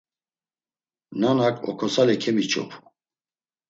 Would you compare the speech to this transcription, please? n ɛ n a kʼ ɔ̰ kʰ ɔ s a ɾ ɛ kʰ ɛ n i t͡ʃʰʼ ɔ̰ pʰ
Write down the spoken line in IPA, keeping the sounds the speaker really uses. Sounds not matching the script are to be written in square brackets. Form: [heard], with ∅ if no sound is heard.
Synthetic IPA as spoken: n [a] n a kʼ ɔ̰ kʰ ɔ s a [l] ɛ kʰ ɛ [m] i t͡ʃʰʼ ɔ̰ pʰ